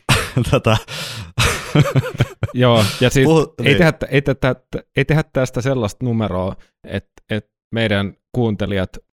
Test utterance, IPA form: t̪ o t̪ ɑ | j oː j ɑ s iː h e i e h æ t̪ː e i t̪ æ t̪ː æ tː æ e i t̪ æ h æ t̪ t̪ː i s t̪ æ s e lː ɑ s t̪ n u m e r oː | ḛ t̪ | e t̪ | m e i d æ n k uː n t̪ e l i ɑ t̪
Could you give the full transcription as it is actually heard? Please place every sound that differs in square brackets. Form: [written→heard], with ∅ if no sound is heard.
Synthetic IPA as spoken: t̪ o t̪ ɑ | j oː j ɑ s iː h e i e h æ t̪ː e i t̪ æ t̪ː æ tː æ e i t̪ [æ→e] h æ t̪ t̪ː [i→æ] s t̪ æ s e lː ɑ s t̪ n u m e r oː | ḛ t̪ | e t̪ | m e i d æ n k uː n t̪ e l i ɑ t̪